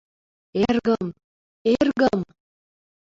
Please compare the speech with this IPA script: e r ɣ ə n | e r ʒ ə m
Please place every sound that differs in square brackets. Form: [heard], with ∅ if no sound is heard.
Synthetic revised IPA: e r ɣ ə [m] | e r [ɣ] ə m